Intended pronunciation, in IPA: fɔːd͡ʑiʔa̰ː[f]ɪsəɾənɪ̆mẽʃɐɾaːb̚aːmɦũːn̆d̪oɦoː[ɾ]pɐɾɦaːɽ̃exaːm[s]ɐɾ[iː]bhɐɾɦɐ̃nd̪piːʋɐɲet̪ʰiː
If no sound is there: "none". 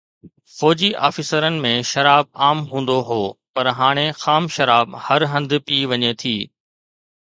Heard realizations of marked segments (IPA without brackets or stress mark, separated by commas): f, none, ʃ, aː